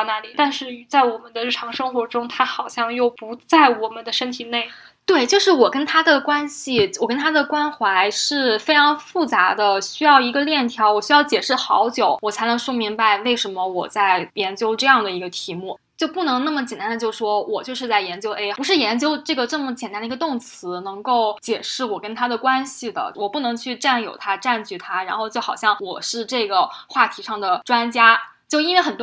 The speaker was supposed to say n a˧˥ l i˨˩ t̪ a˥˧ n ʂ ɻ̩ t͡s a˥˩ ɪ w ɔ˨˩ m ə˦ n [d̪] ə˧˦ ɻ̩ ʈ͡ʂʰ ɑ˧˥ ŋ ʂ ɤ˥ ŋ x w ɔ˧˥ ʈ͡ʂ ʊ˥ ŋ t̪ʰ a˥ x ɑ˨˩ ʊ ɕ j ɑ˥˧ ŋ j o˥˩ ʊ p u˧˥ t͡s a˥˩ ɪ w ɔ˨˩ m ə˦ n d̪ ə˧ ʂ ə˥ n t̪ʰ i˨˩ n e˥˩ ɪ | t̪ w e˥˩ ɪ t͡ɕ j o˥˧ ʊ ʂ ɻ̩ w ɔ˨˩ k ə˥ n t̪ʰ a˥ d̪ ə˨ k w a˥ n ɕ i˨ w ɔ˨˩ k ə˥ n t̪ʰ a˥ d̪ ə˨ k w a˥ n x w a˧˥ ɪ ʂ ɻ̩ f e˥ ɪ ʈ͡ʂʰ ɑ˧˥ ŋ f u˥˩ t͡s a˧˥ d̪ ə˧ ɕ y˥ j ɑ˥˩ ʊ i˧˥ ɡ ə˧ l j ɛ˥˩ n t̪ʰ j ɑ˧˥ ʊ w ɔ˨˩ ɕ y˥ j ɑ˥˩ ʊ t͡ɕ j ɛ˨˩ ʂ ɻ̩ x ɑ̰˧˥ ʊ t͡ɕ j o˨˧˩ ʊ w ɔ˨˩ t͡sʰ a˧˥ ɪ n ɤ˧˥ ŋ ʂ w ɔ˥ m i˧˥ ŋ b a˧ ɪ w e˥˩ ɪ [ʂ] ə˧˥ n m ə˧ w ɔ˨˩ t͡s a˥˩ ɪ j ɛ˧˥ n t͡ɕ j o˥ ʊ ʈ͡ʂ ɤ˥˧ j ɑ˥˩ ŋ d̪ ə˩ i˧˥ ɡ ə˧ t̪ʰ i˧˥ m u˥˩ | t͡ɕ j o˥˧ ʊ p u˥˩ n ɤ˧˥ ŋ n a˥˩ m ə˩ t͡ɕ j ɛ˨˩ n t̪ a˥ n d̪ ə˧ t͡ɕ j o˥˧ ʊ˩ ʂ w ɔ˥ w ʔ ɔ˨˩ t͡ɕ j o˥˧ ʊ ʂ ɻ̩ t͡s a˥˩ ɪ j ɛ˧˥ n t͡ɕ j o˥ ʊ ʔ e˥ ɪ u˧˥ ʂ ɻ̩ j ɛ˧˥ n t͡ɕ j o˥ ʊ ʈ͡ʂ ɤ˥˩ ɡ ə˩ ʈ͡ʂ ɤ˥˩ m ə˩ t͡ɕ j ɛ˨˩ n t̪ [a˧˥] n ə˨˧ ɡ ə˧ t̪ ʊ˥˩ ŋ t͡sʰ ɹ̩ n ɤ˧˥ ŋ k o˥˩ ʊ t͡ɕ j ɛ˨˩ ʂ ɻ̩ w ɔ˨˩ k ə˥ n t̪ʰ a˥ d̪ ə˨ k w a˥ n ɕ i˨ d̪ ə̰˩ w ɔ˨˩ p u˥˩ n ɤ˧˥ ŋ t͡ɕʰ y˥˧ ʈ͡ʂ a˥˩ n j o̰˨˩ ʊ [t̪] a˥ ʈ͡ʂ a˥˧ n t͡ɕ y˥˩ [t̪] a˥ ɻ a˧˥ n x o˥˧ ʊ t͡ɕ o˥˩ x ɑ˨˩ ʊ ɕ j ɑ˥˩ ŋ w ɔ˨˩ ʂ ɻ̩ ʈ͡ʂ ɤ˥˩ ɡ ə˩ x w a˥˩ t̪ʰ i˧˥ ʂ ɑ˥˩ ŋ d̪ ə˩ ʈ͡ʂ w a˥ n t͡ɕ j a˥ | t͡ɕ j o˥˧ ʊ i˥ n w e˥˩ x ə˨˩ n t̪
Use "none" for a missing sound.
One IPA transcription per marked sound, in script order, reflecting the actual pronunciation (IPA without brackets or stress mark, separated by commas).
d̪, ʂ, a˥, t̪ʰ, t̪ʰ